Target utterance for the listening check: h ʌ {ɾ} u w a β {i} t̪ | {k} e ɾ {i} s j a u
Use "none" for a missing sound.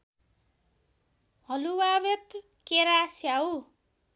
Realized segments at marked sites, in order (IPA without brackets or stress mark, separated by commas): l, e, k, a